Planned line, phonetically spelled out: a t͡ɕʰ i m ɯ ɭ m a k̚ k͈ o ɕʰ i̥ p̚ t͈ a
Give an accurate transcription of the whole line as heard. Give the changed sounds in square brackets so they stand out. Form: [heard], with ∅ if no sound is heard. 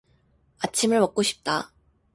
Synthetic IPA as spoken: a t͡ɕʰ i m ɯ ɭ m [ʌ] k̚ k͈ o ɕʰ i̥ p̚ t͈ a